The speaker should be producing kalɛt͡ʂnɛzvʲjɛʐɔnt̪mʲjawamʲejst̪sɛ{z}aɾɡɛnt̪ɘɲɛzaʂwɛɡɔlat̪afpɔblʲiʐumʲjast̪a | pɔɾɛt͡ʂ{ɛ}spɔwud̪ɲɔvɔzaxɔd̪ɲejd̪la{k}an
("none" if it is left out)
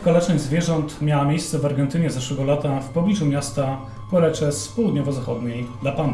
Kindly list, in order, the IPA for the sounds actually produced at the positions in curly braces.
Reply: v, ɛ, p

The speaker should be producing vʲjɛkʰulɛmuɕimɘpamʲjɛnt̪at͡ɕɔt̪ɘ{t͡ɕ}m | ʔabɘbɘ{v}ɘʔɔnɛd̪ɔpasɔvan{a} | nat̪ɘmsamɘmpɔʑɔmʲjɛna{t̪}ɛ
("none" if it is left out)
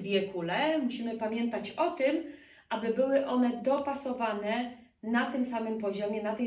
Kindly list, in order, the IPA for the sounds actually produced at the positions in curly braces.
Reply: none, w, ɛ, t̪

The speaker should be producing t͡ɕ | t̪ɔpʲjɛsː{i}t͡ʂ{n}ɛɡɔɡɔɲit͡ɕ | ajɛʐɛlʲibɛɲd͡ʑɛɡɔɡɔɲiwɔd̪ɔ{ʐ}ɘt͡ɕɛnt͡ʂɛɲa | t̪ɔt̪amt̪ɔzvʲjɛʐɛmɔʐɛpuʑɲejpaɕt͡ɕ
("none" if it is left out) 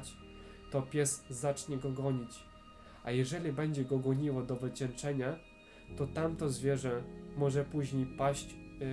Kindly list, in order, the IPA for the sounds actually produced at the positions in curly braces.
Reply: a, ɲ, v

